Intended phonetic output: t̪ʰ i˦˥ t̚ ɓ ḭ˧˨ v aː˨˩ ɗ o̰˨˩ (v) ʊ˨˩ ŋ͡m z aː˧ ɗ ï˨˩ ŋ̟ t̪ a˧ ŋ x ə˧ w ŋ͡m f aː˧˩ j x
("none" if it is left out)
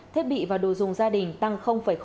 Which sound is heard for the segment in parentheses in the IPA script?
z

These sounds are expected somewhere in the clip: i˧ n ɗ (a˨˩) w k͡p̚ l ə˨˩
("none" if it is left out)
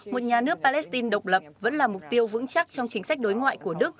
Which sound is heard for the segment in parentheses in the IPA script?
ə˨˩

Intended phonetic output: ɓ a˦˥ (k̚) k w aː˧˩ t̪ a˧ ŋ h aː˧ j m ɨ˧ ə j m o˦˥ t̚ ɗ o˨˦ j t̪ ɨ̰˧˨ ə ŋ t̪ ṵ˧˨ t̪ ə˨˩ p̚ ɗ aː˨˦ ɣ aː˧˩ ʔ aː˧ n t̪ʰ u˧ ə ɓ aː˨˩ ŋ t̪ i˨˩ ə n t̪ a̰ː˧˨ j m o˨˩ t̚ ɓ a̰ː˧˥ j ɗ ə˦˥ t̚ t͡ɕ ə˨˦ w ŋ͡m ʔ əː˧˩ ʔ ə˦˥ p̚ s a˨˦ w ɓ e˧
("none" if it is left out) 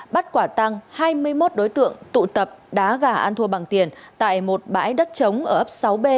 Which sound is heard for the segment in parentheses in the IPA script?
t̚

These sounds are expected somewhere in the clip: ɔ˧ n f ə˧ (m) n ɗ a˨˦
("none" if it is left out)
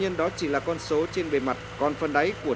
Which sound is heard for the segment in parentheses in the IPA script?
none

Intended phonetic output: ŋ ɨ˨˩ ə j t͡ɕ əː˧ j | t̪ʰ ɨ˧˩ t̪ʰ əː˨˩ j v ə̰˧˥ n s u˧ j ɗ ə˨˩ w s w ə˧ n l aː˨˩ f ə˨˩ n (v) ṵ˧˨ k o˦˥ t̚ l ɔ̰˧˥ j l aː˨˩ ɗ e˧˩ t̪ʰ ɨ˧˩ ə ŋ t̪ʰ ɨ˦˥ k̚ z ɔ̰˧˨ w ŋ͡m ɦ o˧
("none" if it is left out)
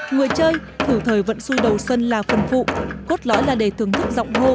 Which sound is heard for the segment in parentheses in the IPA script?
f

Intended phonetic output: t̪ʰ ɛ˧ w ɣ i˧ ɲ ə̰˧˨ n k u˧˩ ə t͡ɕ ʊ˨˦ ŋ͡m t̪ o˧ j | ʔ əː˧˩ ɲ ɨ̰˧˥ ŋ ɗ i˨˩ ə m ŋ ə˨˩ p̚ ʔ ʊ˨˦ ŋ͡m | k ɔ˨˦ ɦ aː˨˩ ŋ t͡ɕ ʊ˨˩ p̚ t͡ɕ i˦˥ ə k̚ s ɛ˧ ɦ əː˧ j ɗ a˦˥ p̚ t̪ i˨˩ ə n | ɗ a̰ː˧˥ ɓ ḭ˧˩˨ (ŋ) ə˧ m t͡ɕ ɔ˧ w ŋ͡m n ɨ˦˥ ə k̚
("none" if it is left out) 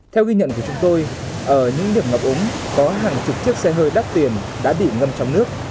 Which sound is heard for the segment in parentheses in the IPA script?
ŋ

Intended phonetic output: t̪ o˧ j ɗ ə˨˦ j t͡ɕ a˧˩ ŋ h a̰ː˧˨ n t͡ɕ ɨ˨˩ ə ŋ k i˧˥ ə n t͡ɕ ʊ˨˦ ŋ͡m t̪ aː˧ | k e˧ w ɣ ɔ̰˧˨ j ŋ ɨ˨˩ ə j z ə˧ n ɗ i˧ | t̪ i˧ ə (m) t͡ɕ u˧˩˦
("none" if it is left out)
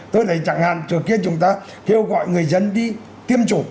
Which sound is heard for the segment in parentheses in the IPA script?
m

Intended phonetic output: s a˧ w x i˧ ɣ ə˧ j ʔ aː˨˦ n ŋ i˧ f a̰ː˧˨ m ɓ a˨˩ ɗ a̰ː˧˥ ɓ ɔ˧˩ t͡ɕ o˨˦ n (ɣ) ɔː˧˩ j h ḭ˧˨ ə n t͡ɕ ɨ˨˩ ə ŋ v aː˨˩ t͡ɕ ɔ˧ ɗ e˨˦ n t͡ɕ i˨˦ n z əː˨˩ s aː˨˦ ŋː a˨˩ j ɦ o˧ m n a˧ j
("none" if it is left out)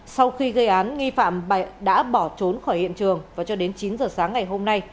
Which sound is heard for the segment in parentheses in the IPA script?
x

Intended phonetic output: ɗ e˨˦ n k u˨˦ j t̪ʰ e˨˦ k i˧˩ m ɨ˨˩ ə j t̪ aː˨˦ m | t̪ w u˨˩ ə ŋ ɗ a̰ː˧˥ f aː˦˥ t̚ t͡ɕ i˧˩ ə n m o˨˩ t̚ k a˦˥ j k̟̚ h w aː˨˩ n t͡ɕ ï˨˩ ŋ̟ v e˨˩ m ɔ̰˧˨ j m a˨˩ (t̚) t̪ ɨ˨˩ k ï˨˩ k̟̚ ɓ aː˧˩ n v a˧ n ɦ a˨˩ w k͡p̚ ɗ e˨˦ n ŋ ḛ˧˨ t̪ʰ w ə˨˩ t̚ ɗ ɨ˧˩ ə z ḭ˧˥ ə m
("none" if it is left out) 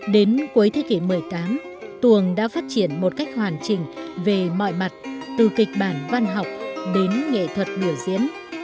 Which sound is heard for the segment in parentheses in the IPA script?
t̚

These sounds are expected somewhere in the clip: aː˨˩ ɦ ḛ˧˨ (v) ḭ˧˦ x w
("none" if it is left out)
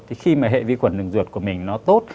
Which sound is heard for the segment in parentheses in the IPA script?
v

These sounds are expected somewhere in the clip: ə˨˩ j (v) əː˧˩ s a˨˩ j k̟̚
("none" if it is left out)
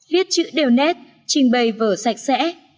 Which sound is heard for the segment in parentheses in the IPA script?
v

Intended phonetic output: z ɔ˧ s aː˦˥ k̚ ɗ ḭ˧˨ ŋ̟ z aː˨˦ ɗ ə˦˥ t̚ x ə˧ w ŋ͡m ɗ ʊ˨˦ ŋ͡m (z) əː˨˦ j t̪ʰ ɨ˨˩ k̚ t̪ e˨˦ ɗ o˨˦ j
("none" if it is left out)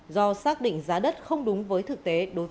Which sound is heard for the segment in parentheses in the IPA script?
v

